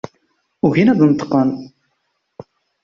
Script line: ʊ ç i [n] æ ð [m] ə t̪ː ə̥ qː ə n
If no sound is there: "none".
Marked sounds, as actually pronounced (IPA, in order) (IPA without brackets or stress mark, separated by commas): n, n